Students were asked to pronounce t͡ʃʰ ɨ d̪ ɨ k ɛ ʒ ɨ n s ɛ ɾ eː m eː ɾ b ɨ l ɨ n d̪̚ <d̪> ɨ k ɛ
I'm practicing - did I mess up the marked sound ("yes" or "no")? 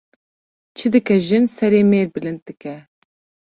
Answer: no